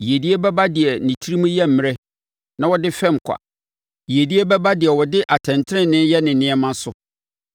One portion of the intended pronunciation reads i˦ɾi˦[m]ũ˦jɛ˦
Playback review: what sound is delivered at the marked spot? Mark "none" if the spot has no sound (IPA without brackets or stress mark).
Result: m